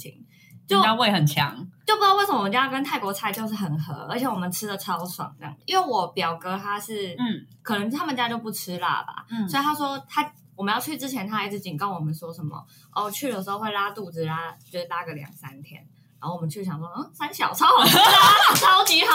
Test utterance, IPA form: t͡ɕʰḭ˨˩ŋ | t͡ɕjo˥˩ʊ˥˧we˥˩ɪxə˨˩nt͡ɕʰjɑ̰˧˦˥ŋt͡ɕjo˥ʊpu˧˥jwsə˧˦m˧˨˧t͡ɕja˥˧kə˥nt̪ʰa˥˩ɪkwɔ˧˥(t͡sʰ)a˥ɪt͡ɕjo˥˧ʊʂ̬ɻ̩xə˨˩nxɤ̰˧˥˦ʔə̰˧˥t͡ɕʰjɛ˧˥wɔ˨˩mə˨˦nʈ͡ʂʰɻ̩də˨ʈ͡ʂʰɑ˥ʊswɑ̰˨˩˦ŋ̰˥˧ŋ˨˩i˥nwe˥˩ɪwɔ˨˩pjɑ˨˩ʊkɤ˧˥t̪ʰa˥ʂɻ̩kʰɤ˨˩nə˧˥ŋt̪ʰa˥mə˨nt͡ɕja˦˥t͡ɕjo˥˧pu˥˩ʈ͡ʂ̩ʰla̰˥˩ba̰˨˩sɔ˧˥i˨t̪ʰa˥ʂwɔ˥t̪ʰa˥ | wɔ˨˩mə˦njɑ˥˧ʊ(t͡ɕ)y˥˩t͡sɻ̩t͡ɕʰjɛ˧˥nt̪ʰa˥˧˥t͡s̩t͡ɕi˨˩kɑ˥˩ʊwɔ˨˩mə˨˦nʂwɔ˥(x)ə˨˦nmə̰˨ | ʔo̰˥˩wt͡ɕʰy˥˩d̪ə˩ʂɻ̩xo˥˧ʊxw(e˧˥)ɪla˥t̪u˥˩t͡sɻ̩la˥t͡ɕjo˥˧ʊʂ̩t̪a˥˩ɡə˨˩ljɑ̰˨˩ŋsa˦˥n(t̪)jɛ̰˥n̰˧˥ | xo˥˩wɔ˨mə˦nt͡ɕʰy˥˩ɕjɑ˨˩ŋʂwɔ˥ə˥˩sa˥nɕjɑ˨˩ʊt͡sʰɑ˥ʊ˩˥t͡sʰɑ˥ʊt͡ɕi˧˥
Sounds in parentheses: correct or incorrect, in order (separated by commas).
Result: correct, incorrect, incorrect, incorrect, incorrect